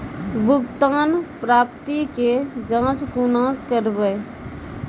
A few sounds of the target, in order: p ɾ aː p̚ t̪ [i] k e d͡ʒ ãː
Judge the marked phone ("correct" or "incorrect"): correct